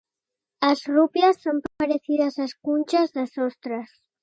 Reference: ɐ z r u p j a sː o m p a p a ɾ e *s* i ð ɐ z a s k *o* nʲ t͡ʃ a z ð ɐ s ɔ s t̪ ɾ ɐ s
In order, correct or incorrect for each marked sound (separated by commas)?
incorrect, incorrect